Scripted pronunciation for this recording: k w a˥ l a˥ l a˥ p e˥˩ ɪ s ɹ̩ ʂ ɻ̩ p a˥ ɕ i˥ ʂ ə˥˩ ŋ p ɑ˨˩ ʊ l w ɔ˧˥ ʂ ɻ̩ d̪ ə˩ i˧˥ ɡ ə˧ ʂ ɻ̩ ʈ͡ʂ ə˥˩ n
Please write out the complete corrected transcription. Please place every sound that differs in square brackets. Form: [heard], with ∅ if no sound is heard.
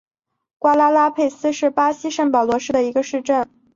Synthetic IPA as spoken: k w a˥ l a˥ l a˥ [pʰ] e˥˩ ɪ s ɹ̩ ʂ ɻ̩ p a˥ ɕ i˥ ʂ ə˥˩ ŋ p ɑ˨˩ ʊ l w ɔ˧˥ ʂ ɻ̩ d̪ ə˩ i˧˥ ɡ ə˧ ʂ ɻ̩ ʈ͡ʂ ə˥˩ n